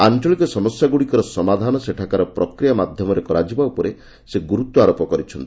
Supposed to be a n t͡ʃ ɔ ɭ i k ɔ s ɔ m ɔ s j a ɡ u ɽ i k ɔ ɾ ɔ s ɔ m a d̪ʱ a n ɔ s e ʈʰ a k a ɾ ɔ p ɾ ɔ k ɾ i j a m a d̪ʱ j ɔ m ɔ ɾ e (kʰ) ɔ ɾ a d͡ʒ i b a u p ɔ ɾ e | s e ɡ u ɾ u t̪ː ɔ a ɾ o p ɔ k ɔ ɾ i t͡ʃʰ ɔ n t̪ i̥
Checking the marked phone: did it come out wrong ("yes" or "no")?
yes